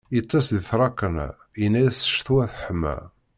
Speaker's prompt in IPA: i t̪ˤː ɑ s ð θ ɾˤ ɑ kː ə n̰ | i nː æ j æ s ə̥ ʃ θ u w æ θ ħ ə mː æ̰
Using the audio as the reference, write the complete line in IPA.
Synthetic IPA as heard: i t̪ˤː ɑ s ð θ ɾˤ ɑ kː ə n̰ | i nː æ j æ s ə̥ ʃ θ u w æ θ ħ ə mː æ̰